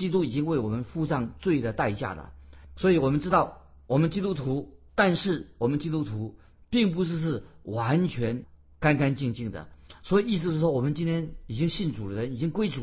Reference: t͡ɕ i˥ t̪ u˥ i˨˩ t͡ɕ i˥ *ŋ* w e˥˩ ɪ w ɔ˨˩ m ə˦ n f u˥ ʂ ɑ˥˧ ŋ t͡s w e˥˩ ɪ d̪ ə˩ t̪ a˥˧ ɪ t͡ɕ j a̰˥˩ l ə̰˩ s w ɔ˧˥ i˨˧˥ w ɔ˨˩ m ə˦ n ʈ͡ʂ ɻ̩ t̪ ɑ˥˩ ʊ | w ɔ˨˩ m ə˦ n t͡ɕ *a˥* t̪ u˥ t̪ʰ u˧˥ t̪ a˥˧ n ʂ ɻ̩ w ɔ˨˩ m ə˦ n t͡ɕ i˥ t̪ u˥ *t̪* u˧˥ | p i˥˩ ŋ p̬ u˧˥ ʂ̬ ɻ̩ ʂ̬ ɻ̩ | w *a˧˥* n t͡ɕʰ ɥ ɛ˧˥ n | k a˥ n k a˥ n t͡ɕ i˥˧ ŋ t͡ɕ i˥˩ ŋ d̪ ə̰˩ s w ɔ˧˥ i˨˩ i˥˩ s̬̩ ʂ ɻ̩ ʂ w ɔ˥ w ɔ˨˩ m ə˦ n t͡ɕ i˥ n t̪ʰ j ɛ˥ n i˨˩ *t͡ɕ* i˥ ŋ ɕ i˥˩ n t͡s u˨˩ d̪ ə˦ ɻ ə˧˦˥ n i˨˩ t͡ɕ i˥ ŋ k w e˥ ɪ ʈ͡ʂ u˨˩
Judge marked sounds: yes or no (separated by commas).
yes, no, no, yes, yes